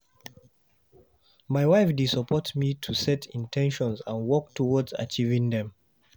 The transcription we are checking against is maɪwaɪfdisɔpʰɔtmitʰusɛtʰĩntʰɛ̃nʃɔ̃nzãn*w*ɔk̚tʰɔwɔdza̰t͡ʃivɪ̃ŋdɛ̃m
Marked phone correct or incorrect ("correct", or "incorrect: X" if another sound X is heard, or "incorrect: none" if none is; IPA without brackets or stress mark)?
correct